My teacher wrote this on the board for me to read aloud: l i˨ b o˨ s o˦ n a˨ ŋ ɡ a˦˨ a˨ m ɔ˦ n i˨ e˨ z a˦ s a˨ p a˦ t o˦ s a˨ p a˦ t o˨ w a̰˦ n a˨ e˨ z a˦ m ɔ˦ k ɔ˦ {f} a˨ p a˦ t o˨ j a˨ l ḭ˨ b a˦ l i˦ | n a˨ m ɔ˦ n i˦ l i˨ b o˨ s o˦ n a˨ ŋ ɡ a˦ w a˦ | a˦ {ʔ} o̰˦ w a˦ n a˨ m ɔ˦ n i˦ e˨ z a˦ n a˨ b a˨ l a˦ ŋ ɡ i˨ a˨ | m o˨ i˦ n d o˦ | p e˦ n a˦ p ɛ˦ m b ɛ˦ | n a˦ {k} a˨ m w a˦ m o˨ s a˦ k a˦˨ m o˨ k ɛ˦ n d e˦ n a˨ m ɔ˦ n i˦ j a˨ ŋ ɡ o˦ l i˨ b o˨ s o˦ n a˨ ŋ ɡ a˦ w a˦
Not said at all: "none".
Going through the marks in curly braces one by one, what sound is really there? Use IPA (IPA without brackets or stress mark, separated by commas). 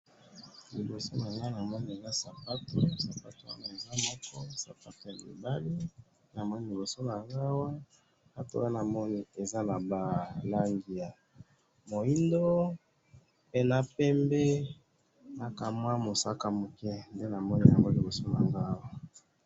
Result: s, t, k